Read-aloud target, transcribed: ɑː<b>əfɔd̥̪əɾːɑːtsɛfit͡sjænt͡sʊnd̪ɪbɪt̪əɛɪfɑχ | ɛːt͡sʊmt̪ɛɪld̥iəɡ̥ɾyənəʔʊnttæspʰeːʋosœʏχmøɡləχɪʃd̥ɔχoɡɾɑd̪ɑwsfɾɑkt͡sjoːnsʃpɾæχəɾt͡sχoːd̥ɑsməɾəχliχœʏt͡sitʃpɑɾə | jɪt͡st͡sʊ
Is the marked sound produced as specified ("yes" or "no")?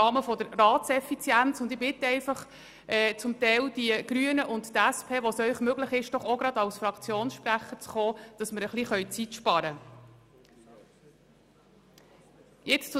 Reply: no